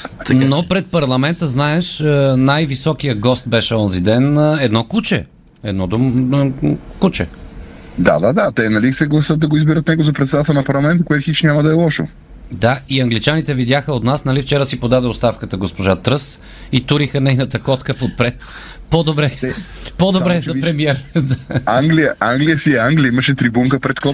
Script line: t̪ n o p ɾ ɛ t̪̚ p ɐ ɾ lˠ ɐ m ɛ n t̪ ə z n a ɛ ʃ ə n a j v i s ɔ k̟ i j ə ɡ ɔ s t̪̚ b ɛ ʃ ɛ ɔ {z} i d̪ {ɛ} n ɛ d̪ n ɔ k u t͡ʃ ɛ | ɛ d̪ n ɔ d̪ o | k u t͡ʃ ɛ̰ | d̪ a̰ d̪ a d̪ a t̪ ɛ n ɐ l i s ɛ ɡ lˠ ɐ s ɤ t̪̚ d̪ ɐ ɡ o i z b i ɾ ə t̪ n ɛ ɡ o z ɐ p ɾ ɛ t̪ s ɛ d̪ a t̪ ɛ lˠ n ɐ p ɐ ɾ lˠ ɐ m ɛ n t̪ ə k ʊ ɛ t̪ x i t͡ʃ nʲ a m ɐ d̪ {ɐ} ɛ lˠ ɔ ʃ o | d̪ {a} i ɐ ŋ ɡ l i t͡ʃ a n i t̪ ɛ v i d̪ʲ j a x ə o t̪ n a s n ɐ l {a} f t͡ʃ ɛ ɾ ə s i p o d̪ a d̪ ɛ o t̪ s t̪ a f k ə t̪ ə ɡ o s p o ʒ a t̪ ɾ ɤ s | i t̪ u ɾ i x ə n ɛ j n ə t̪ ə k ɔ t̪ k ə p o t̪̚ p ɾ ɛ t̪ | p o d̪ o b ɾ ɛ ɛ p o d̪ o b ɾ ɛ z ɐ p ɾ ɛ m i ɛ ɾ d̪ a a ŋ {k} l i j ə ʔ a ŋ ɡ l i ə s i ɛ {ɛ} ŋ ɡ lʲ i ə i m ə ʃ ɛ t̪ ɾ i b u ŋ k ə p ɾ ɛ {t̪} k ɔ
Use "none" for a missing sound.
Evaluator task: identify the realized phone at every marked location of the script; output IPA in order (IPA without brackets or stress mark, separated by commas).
z, ɛ, ɐ, a, i, ɡ, a, t̪